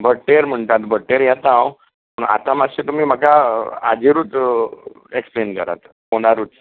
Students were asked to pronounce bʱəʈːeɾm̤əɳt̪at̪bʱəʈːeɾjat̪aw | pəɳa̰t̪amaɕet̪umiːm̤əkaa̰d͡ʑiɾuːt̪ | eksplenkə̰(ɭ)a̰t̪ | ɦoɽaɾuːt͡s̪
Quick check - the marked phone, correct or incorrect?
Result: incorrect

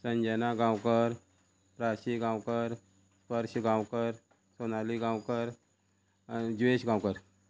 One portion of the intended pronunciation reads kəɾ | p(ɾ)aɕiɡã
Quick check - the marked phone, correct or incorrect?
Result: correct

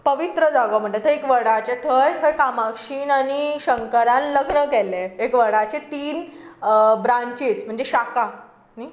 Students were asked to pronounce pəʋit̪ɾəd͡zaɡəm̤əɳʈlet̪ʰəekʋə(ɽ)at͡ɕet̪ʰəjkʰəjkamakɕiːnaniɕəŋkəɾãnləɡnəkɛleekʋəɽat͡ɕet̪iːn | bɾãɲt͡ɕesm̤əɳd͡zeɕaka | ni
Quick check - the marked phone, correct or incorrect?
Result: correct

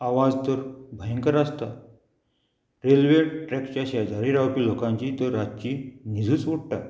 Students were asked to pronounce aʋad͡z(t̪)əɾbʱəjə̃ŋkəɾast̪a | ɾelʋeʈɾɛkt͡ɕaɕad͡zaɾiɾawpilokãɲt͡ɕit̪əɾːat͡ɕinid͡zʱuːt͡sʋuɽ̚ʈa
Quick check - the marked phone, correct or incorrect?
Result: correct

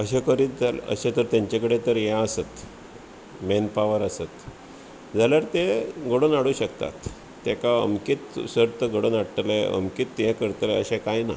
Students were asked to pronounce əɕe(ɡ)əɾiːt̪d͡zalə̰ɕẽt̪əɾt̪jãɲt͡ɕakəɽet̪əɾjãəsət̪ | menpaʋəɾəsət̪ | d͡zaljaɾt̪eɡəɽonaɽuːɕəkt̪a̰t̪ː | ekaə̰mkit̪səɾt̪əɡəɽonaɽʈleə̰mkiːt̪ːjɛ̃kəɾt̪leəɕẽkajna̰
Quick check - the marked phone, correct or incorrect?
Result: incorrect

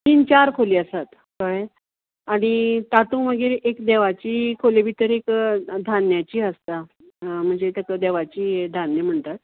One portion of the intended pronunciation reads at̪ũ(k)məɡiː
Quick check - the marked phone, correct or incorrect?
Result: incorrect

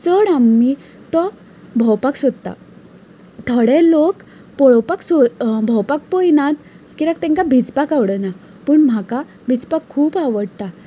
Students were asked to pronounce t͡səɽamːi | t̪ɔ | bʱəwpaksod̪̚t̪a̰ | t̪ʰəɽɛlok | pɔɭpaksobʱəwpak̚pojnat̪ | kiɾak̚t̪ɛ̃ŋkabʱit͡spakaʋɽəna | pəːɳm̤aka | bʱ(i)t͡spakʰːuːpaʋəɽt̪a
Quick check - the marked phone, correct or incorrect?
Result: correct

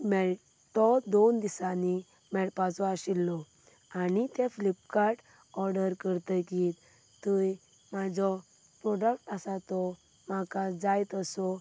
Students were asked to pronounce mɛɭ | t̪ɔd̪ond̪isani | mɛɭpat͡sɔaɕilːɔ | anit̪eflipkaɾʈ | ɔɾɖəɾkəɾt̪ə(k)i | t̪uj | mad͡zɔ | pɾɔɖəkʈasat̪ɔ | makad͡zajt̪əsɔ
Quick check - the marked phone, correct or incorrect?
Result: correct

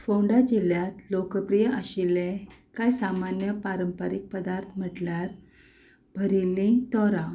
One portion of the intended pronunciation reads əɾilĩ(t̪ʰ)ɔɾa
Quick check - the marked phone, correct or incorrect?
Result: incorrect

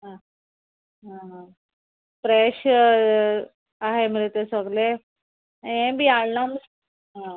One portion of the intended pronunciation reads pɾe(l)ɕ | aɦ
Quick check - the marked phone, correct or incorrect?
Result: incorrect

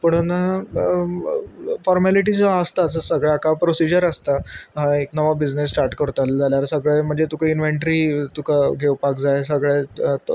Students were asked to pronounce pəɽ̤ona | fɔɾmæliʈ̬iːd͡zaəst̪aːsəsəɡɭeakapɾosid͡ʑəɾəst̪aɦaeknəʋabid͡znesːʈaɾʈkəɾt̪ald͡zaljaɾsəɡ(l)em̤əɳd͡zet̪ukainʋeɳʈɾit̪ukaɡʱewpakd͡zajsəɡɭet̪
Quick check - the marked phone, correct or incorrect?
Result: incorrect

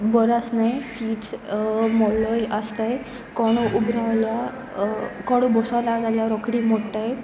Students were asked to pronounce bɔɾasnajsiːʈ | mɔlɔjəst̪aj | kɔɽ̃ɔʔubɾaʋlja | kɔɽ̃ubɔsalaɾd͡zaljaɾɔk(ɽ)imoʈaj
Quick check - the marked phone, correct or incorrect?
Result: correct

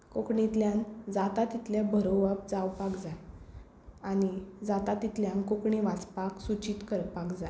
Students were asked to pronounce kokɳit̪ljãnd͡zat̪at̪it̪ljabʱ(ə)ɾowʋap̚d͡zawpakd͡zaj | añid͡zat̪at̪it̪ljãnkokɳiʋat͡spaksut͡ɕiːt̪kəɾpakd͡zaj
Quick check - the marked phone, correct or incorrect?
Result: correct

